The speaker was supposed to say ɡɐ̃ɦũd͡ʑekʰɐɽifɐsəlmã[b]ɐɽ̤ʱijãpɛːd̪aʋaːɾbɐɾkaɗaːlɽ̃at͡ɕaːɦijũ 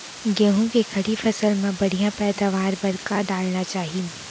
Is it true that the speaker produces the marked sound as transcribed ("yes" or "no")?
yes